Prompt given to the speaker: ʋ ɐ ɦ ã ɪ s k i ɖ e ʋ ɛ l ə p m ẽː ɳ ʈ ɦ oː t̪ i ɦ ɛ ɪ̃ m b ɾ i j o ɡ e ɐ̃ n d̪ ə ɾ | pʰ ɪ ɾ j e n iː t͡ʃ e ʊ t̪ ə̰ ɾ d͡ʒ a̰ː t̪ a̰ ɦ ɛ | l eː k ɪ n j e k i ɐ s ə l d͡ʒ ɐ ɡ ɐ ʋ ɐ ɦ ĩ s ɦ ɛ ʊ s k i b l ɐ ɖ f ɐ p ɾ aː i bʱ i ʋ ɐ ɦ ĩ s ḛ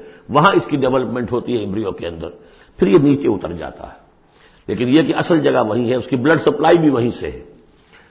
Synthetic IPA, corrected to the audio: ʋ ɐ ɦ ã ɪ s k i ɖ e ʋ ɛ l ə p m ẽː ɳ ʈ ɦ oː t̪ i ɦ ɛ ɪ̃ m b ɾ i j o k e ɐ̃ n d̪ ə ɾ | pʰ ɪ ɾ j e n iː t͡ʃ e ʊ t̪ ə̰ ɾ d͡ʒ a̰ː t̪ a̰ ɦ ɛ | l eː k ɪ n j e k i ɐ s ə l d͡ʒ ɐ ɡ a ʋ ɐ ɦ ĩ ɦ ɛ ʊ s k i b l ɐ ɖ s ɐ p l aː i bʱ i ʋ ɐ ɦ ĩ s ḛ